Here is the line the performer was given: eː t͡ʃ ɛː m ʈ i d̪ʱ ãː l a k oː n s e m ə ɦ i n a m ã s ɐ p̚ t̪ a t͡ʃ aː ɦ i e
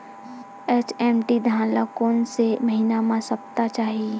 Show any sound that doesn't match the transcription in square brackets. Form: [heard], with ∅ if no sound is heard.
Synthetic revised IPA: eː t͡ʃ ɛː m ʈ i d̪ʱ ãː l a k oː n s e m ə ɦ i n a m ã s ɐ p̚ t̪ a t͡ʃ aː ɦ i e